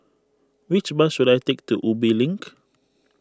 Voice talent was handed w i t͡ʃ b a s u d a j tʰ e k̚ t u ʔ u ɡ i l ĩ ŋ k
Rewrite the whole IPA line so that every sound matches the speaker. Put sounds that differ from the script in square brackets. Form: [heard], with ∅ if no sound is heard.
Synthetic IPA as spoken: w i t͡ʃ b a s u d a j [t] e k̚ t u ʔ u [b] i l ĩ ŋ k